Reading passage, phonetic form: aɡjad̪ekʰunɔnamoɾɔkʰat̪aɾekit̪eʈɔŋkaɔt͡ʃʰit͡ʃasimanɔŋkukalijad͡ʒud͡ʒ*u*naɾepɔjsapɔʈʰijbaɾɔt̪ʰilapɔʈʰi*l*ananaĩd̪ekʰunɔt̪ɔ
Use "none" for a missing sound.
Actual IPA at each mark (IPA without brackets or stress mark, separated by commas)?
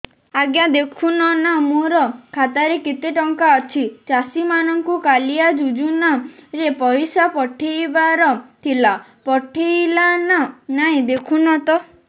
u, l